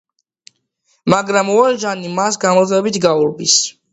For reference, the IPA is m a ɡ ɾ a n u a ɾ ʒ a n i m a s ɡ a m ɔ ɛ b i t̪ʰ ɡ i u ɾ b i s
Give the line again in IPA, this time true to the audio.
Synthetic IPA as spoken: m a ɡ ɾ a m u a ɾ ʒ a n i m a s ɡ a m ɔ ɛ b i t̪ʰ ɡ a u ɾ b i s